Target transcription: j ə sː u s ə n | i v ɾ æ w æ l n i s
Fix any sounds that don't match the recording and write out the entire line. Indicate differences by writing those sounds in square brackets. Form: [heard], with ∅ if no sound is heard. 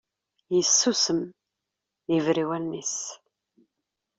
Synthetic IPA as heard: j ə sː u s ə [m] | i v ɾ [i] w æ l n i s